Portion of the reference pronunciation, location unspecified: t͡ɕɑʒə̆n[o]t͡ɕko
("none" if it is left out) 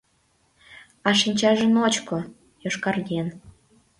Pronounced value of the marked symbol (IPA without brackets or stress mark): o